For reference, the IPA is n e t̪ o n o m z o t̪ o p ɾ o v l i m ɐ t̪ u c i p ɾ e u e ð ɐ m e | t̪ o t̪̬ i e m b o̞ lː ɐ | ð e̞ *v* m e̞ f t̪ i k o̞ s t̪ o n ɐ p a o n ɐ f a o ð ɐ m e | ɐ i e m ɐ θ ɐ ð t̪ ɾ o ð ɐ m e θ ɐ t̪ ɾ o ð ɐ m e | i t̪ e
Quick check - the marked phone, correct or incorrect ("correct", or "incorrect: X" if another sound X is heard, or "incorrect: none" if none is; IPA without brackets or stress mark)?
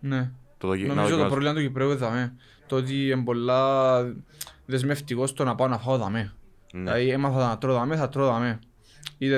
incorrect: z